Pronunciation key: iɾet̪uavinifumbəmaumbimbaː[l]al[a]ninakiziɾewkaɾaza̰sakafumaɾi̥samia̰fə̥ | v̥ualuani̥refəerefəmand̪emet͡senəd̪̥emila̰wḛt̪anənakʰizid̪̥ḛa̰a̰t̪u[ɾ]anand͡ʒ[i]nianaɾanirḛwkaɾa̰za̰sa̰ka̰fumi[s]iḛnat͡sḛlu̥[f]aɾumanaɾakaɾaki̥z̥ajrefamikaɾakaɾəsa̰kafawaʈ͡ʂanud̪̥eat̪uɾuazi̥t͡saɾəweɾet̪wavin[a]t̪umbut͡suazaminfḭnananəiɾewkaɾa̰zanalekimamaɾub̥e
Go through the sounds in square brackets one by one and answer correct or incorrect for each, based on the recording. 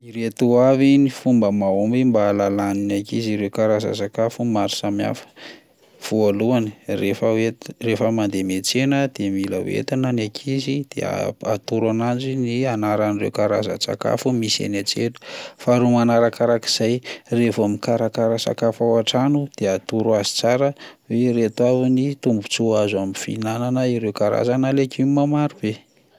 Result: correct, correct, correct, correct, correct, correct, incorrect: i

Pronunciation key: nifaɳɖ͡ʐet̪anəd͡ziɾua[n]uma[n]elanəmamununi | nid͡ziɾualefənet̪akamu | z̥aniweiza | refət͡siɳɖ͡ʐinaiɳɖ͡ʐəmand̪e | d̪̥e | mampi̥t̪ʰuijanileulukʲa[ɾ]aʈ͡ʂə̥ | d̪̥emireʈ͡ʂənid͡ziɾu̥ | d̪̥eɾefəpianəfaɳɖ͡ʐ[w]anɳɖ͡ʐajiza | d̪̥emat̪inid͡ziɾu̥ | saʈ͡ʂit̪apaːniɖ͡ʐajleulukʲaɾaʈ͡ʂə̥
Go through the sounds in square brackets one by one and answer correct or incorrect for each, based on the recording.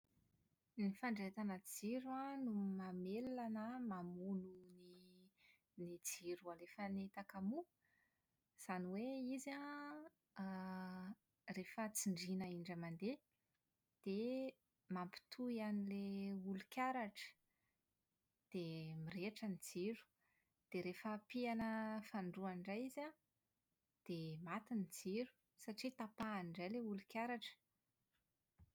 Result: correct, incorrect: m, correct, incorrect: u

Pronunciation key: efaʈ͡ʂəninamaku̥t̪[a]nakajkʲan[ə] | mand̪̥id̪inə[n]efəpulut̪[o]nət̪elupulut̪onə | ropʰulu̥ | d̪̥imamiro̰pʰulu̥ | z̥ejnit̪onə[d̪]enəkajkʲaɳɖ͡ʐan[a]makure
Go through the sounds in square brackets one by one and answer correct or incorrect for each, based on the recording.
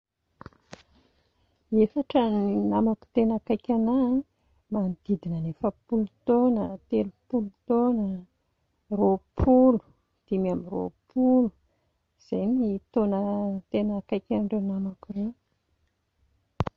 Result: incorrect: e, incorrect: a, correct, correct, incorrect: t̪, correct

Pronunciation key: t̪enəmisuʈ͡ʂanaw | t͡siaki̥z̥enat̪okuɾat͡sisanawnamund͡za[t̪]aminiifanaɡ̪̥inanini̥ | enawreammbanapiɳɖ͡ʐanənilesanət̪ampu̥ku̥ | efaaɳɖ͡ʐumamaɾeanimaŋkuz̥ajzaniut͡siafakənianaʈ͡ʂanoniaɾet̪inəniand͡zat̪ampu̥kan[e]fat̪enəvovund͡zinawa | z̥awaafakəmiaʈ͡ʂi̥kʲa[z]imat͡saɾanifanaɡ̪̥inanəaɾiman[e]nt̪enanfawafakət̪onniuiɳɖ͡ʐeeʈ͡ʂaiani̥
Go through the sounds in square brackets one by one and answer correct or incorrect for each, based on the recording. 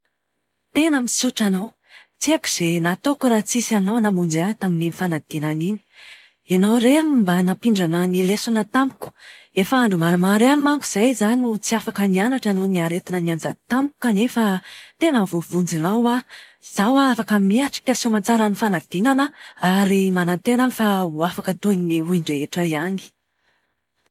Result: correct, correct, incorrect: s, incorrect: a

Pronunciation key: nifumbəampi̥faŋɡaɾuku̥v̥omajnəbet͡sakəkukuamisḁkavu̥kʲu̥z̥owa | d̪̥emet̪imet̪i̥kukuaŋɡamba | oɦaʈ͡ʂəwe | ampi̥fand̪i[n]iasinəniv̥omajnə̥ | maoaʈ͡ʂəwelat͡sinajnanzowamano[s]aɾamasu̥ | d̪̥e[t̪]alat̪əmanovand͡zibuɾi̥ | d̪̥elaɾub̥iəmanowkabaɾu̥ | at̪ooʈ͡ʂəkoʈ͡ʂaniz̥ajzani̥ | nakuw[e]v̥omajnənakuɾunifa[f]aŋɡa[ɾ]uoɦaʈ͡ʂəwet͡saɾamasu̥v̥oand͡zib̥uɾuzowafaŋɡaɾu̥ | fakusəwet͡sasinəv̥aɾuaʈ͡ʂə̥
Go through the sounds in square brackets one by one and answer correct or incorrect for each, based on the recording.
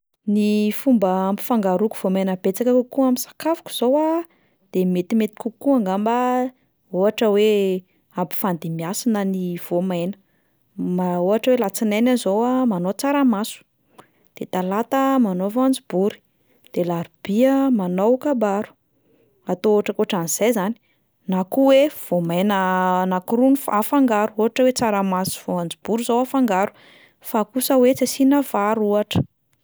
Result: incorrect: m, incorrect: t͡s, correct, correct, correct, correct

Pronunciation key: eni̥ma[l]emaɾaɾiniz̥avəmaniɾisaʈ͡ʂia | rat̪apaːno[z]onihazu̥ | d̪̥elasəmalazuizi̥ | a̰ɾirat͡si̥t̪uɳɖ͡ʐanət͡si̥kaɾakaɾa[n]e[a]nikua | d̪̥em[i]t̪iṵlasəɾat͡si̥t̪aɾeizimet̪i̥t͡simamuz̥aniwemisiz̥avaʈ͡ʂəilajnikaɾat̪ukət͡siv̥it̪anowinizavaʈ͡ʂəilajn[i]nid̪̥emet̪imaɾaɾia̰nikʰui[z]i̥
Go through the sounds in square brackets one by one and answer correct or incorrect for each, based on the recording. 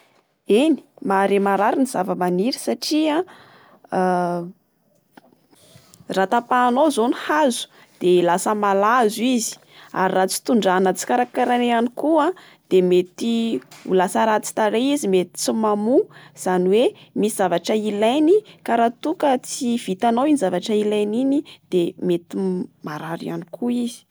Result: incorrect: ɾ, correct, correct, correct, incorrect: e, correct, correct

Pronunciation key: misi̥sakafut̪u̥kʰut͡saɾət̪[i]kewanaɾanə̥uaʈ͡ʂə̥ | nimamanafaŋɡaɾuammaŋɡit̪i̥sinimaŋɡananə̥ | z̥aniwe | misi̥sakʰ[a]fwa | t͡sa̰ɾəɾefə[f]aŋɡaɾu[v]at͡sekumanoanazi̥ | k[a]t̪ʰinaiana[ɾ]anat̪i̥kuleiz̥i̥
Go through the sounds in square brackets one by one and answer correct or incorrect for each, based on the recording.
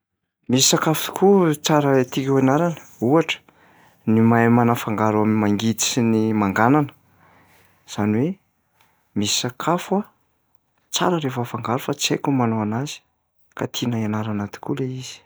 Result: correct, correct, correct, incorrect: f, correct, correct

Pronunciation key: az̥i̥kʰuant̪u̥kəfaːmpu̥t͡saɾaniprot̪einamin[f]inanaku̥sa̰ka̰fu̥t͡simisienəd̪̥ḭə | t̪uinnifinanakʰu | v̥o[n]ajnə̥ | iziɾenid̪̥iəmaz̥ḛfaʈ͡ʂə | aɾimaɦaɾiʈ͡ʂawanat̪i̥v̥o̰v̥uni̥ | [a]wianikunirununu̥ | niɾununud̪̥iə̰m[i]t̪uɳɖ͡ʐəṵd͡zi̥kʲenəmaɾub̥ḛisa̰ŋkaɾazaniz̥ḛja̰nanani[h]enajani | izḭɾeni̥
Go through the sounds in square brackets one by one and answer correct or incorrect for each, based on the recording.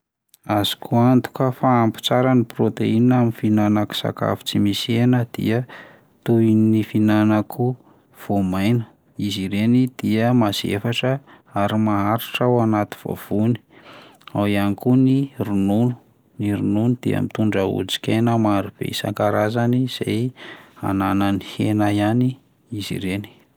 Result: correct, incorrect: m, correct, correct, correct

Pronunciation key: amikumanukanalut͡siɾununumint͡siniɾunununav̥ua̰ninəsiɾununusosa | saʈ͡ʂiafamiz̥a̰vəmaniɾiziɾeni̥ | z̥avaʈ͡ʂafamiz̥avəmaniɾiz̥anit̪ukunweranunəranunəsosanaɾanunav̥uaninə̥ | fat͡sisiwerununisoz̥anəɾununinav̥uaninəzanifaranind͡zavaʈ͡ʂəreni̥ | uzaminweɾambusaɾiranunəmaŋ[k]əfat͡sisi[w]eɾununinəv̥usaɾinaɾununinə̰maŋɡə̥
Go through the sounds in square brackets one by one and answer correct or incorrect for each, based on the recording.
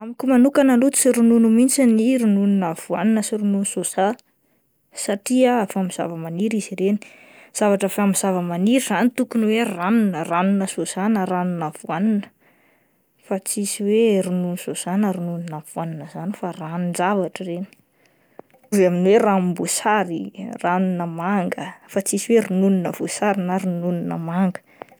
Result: incorrect: ɡ, correct

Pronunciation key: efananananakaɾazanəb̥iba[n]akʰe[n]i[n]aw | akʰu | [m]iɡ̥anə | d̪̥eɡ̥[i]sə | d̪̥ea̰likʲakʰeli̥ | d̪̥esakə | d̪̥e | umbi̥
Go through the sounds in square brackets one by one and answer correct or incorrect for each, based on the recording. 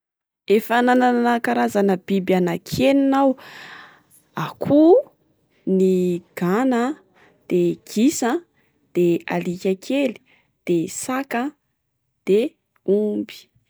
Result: correct, correct, correct, incorrect: n, correct

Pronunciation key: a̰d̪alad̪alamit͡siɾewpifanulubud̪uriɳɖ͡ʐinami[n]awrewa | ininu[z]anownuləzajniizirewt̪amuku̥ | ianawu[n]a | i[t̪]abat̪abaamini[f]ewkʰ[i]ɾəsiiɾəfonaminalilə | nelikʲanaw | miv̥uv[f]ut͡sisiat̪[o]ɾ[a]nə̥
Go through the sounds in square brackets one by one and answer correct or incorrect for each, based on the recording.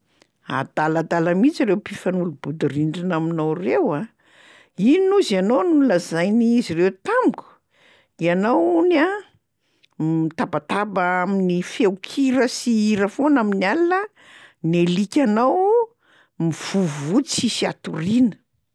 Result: correct, correct, correct, correct, correct, correct, incorrect: v, incorrect: u, incorrect: i

